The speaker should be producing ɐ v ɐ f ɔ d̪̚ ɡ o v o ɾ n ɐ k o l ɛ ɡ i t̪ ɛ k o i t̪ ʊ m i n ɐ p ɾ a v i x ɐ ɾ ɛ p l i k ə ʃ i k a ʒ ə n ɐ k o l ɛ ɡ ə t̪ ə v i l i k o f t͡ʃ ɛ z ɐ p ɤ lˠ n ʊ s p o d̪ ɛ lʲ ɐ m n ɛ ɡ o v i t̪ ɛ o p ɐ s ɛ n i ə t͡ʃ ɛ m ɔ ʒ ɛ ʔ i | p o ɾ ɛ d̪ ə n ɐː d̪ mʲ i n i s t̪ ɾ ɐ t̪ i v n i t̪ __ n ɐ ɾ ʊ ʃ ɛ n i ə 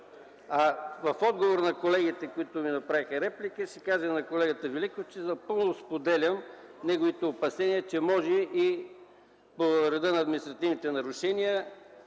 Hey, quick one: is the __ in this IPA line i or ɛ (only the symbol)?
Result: ɛ